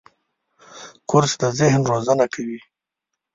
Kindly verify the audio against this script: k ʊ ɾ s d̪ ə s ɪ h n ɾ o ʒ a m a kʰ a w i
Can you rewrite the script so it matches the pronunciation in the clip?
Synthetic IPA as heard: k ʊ ɾ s d̪ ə z ɪ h n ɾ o z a n a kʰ a w i

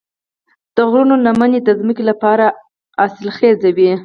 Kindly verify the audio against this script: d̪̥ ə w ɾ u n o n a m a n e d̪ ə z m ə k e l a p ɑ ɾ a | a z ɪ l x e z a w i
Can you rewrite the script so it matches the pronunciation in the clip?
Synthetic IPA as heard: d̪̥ ə ɣ ɾ u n o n a m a n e d̪ ə z m ə k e l a p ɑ ɾ a | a s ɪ l x e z a w i

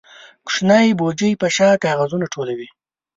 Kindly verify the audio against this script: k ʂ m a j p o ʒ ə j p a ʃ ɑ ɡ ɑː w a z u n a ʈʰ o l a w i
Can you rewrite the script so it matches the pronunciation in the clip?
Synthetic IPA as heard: k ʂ n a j b o d͡ʒ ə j p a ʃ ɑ k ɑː ɣ a z u n a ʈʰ o l a w i

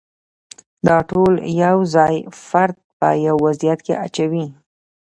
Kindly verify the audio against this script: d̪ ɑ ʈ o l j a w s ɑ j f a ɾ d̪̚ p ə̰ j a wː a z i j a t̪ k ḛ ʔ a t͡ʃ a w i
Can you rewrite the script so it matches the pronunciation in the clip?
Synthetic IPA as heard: d̪ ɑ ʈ o l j a w z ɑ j f a ɾ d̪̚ p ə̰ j a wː a z i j a t̪ k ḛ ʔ a t͡ʃ a w i

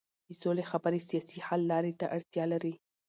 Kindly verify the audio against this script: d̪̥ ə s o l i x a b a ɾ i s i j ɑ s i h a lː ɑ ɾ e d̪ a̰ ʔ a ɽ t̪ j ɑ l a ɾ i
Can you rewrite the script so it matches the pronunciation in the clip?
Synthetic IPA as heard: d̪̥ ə s o l e x a b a ɾ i s i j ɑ s i h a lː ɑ ɾ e t̪ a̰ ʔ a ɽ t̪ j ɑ l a ɾ i

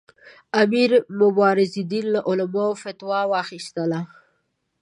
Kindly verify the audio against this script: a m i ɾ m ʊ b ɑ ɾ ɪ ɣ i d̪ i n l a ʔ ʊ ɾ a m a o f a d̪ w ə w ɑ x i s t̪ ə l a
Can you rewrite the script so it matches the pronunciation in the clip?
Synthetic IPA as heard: a m i ɾ m ʊ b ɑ ɾ ɪ z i d̪ i n l a ʔ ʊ l a m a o f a t̪ w ɑ w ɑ x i s t̪ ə l a

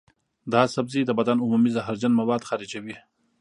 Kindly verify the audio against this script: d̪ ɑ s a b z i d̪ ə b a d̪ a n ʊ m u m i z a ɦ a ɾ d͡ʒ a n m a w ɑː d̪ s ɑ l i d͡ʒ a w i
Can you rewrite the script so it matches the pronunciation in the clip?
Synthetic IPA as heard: d̪ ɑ s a b z i d̪ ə b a d̪ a n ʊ m u m i z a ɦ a ɾ d͡ʒ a n m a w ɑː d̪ x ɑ ɾ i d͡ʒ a w i

